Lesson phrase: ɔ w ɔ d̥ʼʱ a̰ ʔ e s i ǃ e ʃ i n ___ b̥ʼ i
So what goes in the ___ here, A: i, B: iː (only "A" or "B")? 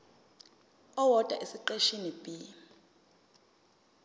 A